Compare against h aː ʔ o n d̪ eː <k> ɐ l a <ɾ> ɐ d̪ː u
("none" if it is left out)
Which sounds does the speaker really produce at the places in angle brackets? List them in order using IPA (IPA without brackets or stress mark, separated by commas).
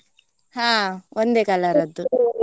k, ɾ